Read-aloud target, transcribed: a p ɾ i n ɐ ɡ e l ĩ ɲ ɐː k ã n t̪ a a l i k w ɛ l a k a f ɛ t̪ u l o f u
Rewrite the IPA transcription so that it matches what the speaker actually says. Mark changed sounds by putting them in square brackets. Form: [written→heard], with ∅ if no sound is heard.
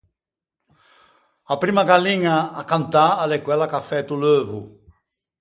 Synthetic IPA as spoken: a p ɾ i [n→m] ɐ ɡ [e→a] l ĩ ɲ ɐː k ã n t̪ a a l [i→e] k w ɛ l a k a f ɛ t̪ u l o [f→v] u

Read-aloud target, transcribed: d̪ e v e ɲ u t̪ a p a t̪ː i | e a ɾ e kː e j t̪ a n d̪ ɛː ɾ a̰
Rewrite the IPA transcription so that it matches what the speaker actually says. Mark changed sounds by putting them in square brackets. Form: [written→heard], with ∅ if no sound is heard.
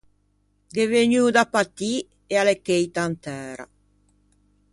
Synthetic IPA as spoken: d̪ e v e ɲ u [t̪→d̪] a p a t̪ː i | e a [ɾ→l] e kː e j t̪ a n [d̪→t̪] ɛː ɾ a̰

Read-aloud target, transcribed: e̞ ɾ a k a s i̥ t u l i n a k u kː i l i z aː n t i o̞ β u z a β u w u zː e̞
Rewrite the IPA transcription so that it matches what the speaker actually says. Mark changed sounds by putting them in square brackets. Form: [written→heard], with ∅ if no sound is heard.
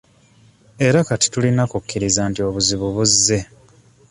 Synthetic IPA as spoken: e̞ ɾ a k a [s→t] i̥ t u l i n a k u kː i [l→ɾ] i z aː n t i o̞ β u z [a→i] β u [w→β] u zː e̞

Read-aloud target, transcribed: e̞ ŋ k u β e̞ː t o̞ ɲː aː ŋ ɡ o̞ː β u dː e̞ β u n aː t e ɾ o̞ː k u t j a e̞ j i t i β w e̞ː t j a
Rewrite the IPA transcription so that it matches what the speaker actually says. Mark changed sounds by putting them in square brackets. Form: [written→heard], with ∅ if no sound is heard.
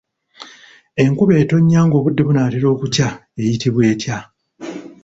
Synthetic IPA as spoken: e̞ ŋ k u β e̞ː t o̞ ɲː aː ŋ ɡ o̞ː β u dː e̞ β u n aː t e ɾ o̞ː k u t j a e̞ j i t i β w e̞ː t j a

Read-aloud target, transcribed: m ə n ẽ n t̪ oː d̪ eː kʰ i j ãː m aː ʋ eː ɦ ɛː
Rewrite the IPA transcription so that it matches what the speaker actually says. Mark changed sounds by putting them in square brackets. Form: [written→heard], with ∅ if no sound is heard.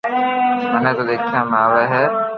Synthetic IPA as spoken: m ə n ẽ [n→∅] t̪ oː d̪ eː kʰ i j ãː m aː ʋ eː ɦ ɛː

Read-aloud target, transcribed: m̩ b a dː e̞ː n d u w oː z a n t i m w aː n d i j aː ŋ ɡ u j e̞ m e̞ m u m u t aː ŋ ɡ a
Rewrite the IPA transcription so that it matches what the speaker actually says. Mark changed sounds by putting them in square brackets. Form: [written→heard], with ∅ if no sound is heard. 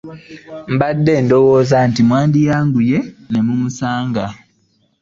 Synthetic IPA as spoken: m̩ b a dː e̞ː n d [u→o] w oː z a n t i m w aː n d i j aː ŋ ɡ u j e̞ [m→n] e̞ m u m u [t→s] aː ŋ ɡ a

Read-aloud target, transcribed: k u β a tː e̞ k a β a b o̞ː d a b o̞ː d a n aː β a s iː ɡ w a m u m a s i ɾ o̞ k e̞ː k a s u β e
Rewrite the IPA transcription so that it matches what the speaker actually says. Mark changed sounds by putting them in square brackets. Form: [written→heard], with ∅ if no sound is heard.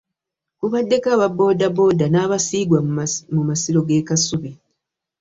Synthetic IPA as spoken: k u β a [tː→dː] e̞ k a β a b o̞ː d a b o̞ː d a n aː β a s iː ɡ w a m u m a s i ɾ o̞ [k→ɡ] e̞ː k a s u β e

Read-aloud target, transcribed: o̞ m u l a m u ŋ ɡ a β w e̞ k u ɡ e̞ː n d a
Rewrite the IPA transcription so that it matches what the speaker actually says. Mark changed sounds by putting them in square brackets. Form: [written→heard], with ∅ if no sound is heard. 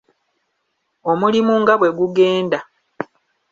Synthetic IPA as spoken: o̞ m u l [a→i] m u ŋ ɡ a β w e̞ [k→ɡ] u ɡ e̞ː n d a

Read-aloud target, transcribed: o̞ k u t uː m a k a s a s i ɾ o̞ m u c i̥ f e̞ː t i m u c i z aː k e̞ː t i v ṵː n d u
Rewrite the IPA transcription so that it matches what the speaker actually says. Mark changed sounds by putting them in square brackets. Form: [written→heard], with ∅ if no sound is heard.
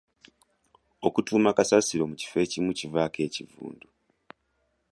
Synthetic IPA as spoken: o̞ k u t uː m a k a s a s i ɾ o̞ m u c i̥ f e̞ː [t→c] i m u c i [z→v] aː k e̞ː [t→c] i v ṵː n d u

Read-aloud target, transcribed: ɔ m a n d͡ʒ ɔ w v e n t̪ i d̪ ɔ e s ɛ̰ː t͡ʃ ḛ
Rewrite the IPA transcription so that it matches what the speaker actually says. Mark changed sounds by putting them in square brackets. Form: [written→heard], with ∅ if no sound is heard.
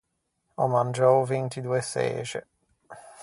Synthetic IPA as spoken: ɔ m a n d͡ʒ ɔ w v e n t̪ i d̪ [ɔ→u] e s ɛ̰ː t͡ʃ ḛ

